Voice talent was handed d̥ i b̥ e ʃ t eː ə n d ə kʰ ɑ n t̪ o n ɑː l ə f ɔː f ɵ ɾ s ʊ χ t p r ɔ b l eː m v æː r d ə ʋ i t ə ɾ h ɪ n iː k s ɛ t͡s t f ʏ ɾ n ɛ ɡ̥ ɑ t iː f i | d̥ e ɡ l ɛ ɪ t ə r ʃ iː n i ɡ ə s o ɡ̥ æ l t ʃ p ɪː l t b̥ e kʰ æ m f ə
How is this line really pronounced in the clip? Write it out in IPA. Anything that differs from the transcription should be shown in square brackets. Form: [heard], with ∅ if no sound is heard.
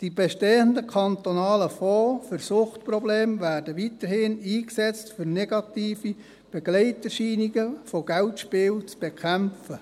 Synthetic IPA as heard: d̥ i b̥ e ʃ t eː ə n d ə kʰ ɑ n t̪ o n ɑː l ə f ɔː f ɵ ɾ s ʊ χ t p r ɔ b l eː m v æː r d ə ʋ i t ə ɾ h ɪ n iː k s ɛ t͡s t f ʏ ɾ n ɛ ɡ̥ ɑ t iː f i | [b̥] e ɡ l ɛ ɪ t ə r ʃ iː n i ɡ ə [f] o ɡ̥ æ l t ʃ p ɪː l [t͡s] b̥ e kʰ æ m f ə

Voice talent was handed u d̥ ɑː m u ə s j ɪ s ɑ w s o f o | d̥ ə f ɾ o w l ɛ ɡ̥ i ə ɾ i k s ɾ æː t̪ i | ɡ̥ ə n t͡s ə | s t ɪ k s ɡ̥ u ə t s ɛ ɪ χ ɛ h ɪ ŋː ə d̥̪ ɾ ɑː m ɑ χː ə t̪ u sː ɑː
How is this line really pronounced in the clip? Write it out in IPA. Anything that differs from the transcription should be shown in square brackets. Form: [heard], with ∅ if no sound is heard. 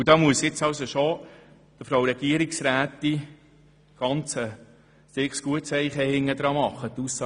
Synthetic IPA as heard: u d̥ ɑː m u ə s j ɪ [t͡s] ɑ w s o [ʃ] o | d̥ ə f ɾ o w [ɾ] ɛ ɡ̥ i ə ɾ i k s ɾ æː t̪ i | ɡ̥ [ɑ] n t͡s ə | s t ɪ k s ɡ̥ u ə t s ɛ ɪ χ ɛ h ɪ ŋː ə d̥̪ ɾ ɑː m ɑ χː ə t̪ u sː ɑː

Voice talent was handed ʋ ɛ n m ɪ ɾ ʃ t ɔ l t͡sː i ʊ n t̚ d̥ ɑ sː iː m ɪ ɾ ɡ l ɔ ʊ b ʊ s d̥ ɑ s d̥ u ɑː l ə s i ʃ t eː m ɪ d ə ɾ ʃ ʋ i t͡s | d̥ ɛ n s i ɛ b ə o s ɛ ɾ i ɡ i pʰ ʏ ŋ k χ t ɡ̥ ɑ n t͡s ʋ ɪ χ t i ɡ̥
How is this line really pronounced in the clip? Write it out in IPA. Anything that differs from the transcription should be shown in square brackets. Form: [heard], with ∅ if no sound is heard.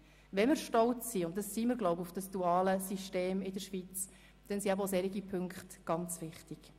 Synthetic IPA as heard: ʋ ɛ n m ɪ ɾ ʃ t ɔ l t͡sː i ʊ n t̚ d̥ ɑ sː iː m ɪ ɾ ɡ l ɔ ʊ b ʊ [f] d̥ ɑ s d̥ u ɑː l ə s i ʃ t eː m ɪ d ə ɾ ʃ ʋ i t͡s | d̥ ɛ n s i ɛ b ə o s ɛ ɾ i ɡ i pʰ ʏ ŋ k χ t ɡ̥ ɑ n t͡s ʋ ɪ χ t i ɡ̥

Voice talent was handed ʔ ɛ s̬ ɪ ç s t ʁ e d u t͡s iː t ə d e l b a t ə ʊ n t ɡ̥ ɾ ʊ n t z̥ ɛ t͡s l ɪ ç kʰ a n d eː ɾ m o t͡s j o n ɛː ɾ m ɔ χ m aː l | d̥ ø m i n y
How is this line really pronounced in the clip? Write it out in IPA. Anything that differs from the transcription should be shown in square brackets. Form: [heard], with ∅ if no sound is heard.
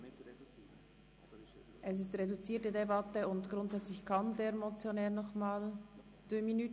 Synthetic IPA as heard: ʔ ɛ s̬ ɪ [∅] s t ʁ e d u t͡s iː t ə d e [∅] b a t ə ʊ n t ɡ̥ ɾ ʊ n t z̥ ɛ t͡s l ɪ ç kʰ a n d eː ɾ m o t͡s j o n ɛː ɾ [n] ɔ χ m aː l | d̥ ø m i n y

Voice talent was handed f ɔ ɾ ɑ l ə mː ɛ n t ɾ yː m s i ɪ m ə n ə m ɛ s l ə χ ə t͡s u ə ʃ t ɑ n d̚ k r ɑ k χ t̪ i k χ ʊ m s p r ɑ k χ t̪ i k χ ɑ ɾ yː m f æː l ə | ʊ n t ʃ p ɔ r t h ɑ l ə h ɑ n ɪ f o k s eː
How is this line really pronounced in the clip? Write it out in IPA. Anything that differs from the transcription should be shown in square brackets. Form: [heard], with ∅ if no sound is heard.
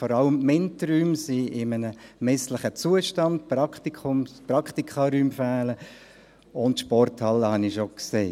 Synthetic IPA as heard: f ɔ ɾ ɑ l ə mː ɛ n t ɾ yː m s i ɪ m ə n ə m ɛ s l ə χ ə t͡s u ə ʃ t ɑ n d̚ [p] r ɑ k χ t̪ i k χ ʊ m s p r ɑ k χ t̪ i k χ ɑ ɾ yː m f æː l ə | ʊ n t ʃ p ɔ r t h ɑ l ə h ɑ n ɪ [ʃ] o k s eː

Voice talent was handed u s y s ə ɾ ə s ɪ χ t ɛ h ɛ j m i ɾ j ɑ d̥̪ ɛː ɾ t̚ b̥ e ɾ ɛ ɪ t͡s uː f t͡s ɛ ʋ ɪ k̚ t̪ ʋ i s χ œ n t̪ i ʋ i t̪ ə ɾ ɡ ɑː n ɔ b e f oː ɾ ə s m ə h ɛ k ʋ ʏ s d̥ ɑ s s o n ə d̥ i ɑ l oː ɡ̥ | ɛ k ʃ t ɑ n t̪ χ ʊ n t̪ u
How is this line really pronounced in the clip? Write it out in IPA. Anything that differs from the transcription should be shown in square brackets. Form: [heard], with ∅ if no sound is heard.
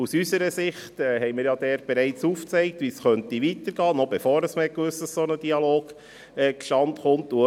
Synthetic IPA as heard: u s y s ə ɾ ə s ɪ χ t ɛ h ɛ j m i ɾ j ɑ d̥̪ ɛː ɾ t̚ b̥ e ɾ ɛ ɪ t͡s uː f t͡s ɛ [∅] ɪ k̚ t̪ ʋ i s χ œ n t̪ i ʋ i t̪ ə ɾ ɡ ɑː n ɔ b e f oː ɾ ə s m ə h ɛ k ʋ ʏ s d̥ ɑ s s o n ə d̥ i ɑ l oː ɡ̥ | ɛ k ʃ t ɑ n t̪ χ ʊ n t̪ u

